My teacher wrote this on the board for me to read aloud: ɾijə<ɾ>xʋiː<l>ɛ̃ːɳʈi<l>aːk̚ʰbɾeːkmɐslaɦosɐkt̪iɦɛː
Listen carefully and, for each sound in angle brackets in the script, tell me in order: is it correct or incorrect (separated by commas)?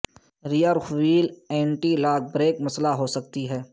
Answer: correct, correct, correct